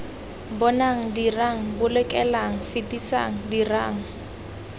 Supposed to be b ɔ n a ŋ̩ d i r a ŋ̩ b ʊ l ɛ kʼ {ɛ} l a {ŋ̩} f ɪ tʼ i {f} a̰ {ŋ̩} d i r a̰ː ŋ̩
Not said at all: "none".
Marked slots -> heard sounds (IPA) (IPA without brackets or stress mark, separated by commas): ɛ, ŋ̩, s, ŋ̩